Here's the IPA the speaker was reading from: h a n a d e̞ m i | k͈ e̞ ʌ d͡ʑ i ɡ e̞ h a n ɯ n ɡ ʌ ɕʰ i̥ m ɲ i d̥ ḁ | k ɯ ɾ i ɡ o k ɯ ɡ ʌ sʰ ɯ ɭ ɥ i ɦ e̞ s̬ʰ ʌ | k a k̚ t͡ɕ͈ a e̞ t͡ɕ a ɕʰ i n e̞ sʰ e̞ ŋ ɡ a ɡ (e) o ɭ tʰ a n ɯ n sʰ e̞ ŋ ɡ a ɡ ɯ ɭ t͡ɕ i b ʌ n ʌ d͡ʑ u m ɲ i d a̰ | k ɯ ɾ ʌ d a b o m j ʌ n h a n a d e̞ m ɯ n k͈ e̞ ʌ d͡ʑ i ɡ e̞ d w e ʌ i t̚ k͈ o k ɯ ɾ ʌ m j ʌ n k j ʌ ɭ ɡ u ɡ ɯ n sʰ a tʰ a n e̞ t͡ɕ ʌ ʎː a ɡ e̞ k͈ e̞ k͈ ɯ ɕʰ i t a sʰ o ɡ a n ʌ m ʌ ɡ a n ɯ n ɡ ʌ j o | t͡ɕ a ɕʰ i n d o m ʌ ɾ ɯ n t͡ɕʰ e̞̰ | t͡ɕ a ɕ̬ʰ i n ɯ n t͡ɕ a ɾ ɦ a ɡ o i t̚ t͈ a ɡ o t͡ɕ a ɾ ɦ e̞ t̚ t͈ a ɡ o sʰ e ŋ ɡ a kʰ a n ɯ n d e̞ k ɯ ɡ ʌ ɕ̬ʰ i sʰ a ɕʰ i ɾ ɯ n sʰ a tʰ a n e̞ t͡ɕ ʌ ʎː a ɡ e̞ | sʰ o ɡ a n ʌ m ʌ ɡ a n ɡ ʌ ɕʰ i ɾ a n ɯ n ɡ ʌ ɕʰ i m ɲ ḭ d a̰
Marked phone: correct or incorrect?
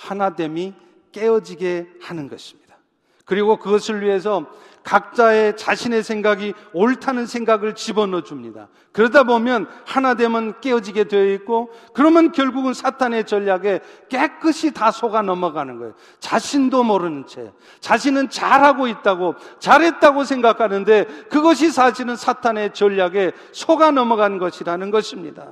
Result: incorrect